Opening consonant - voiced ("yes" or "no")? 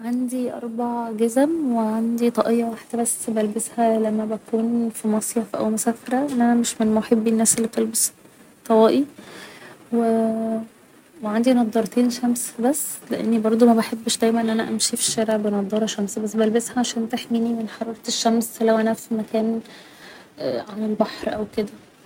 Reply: yes